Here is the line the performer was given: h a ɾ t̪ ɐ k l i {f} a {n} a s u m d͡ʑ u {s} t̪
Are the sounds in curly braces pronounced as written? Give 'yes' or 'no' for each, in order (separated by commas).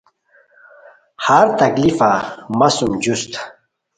yes, no, yes